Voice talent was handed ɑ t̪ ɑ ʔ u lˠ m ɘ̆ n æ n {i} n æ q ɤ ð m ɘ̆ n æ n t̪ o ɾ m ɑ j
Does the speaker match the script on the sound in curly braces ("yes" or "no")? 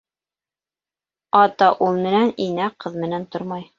yes